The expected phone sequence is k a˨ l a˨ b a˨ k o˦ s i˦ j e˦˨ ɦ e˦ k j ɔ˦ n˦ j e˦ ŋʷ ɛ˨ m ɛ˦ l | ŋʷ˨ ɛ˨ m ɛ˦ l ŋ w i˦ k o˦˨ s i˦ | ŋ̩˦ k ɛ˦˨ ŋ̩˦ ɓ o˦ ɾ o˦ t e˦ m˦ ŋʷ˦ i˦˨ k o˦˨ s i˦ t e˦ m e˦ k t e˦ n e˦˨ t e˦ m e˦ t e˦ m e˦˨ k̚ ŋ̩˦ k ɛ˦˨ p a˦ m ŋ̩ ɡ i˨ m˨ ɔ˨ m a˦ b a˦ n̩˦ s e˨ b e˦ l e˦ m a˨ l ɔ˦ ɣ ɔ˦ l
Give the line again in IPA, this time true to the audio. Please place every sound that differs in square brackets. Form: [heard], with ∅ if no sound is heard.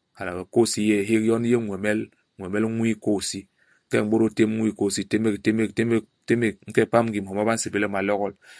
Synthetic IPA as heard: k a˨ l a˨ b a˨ k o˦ s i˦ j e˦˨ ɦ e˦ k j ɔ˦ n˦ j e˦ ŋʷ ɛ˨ m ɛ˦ l | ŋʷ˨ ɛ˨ m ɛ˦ l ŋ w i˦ k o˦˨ s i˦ | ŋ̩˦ k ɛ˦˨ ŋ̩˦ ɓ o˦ ɾ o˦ t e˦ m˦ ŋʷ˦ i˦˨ k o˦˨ s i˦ t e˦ m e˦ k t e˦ [m] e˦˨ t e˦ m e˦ t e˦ m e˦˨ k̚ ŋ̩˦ k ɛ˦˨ p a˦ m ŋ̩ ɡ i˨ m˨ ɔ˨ m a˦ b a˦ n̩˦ s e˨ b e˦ l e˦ m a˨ l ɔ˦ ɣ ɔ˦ l